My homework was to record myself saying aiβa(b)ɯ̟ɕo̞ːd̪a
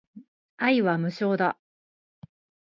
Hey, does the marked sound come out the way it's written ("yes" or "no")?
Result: no